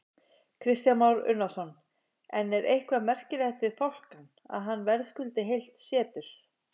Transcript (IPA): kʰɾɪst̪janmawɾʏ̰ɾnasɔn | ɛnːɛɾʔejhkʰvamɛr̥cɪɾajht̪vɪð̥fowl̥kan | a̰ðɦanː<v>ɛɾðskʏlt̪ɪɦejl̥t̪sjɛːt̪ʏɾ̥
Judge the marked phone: correct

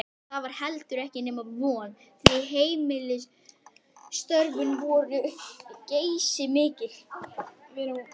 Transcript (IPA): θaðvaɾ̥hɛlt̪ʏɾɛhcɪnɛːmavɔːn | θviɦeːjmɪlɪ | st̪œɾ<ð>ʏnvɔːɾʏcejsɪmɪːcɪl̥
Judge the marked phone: incorrect: v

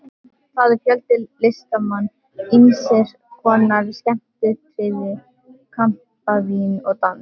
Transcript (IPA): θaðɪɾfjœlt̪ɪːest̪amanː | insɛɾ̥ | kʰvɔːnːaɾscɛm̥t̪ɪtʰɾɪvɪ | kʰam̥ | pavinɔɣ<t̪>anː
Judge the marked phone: correct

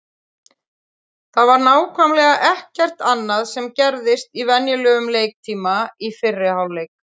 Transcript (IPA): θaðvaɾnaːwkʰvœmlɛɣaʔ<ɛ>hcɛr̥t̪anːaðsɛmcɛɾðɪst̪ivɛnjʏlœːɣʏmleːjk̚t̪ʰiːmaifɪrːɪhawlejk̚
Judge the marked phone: correct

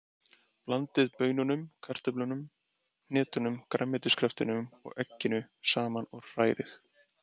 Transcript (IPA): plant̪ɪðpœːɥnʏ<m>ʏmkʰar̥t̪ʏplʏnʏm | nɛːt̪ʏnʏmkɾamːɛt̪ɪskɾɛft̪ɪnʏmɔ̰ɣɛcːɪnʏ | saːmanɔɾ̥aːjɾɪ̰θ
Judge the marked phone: incorrect: n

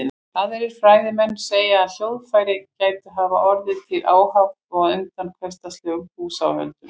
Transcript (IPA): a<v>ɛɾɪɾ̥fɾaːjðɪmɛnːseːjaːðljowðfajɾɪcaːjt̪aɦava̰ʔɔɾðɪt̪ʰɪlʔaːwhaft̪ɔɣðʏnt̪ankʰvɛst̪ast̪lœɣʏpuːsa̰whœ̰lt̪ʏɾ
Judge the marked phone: incorrect: ð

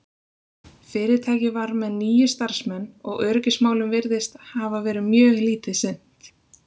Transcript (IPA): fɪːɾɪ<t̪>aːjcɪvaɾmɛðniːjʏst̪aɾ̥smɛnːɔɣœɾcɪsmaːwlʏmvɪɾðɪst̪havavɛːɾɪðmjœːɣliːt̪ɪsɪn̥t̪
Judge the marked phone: incorrect: t̪ʰ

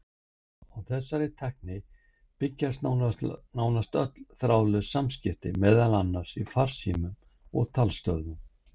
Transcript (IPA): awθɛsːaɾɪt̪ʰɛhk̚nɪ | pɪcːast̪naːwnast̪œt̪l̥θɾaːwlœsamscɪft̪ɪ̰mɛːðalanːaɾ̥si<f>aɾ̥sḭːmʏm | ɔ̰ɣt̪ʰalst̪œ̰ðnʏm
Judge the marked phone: correct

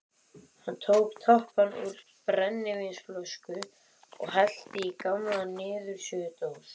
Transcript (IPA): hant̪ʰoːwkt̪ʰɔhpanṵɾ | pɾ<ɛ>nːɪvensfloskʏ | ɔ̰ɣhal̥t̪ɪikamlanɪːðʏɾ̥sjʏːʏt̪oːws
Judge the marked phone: correct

